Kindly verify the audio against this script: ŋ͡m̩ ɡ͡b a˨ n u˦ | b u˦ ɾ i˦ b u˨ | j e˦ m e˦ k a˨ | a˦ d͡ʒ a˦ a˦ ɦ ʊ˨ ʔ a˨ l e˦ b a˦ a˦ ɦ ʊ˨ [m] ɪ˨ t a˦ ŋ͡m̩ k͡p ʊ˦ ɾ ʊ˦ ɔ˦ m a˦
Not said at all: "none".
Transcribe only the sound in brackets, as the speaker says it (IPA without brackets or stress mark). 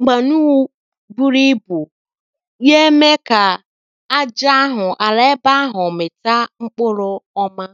m